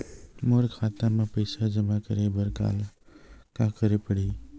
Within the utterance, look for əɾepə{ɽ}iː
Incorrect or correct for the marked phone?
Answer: correct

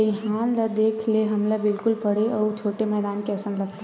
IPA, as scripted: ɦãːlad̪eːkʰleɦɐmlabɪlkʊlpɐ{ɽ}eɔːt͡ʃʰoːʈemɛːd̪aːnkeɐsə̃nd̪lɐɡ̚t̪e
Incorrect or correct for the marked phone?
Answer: correct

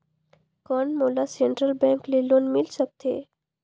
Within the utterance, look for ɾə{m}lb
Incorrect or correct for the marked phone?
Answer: incorrect: none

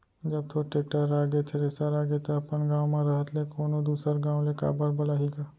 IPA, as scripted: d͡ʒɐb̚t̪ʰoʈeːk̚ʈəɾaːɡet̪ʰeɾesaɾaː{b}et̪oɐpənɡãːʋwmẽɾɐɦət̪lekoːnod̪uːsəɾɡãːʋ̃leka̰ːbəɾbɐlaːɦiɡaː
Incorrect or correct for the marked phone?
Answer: incorrect: ɡ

